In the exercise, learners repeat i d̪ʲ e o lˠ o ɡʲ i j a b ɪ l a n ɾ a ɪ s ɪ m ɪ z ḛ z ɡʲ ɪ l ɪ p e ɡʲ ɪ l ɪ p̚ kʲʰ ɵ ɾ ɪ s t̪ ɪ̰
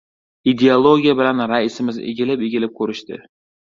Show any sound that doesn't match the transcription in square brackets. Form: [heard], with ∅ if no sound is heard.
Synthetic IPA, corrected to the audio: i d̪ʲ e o lˠ o ɡʲ i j a b ɪ l a n ɾ a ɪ s ɪ m ɪ z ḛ [∅] ɡʲ ɪ l ɪ p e ɡʲ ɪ l ɪ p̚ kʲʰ ɵ ɾ ɪ [ʃ] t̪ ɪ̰